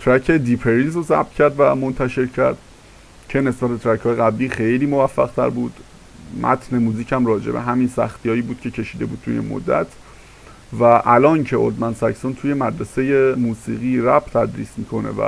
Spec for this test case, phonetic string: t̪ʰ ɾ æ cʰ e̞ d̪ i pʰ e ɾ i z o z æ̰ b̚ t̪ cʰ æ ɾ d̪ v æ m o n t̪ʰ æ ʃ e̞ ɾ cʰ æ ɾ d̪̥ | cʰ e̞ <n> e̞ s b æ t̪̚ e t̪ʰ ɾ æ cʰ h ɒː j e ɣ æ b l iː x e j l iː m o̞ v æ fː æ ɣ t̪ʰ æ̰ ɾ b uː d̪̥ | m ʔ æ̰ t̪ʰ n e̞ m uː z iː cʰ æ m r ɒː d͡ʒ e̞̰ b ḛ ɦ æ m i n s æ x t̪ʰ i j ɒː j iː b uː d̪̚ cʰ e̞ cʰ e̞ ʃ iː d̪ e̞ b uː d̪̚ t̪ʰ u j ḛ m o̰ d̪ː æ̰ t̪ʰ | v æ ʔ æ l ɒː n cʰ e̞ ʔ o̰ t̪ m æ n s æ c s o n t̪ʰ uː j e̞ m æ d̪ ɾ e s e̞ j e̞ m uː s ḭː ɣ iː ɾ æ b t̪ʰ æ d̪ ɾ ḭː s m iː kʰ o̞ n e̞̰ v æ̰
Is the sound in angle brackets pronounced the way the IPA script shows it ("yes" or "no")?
yes